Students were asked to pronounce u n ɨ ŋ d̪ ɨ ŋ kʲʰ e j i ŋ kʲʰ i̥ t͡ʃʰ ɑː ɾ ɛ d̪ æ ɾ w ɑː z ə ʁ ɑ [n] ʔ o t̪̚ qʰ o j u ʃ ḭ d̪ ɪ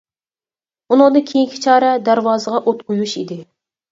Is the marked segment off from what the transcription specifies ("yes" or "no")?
yes